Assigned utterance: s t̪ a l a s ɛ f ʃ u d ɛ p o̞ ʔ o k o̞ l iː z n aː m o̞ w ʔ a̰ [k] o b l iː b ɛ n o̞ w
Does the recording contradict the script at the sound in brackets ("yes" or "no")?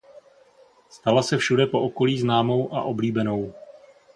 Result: yes